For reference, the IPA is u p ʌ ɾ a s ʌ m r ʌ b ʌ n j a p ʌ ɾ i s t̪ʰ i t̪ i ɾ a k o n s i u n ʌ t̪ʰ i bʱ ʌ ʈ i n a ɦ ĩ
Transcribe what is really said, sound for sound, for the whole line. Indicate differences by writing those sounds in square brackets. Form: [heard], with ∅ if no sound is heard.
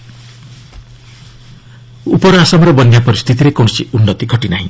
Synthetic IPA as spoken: u p ʌ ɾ a s ʌ m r ʌ b ʌ n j a p ʌ ɾ i s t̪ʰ i t̪ i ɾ [e] k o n s i u [nː] ʌ [t̪] i [ɡʱ] ʌ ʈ i n a ɦ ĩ

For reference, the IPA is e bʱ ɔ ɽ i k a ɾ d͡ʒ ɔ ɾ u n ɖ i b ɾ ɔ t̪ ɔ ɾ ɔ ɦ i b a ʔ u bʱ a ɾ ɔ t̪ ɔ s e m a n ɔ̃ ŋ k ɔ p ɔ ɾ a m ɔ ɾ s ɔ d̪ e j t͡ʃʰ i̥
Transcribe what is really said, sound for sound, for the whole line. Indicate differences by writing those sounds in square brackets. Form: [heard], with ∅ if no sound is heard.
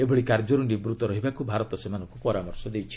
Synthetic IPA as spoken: e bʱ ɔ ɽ i k a ɾ d͡ʒ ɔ ɾ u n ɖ i b ɾ [u] t̪ ɔ ɾ ɔ ɦ i b a [k] u bʱ a ɾ ɔ t̪ ɔ s e m a n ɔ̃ ŋ k [u] p ɔ ɾ a m ɔ ɾ s ɔ d̪ e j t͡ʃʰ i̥

